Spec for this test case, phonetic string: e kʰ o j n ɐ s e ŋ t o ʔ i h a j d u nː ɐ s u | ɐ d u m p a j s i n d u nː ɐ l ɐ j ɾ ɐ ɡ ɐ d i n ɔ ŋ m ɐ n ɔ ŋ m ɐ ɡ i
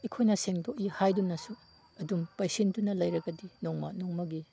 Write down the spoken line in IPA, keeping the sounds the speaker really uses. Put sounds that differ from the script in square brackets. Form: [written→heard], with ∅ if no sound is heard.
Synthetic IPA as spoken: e kʰ o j n ɐ s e ŋ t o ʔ i h a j d u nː ɐ s u | ɐ d u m p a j s i n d u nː ɐ l ɐ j ɾ ɐ ɡ ɐ d i n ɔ ŋ m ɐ n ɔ ŋ m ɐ ɡ i